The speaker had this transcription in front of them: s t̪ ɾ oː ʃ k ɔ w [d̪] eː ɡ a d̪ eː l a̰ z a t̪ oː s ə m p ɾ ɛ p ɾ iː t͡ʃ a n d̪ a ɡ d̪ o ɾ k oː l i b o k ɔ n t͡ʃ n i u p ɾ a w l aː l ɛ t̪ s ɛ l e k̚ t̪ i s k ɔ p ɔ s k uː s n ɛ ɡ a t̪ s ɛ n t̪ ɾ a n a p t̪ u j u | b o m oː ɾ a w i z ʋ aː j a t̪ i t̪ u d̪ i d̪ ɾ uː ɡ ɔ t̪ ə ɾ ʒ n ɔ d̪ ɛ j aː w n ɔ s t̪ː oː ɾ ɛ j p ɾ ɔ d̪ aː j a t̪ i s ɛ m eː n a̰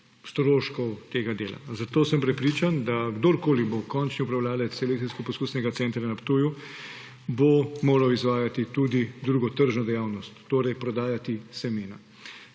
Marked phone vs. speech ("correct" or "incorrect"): incorrect